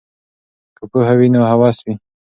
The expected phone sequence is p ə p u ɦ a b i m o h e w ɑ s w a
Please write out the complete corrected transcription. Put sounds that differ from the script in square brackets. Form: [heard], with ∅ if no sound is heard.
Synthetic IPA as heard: [k] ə p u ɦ a [w] i [n] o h [a] w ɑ s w [i]